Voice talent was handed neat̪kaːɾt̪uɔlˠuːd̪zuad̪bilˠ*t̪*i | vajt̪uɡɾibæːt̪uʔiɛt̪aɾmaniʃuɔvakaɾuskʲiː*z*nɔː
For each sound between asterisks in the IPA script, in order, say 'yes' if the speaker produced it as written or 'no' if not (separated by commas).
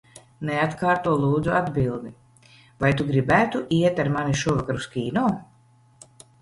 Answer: no, no